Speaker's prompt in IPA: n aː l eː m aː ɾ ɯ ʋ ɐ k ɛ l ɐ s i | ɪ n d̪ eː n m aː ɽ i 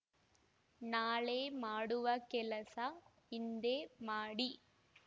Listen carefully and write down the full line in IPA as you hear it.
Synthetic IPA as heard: n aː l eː m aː ɽ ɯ ʋ ɐ k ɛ l ɐ s a | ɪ n d̪ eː m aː ɽ i